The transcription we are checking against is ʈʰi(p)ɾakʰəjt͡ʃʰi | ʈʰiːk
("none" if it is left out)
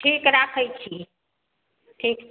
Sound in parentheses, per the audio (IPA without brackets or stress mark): k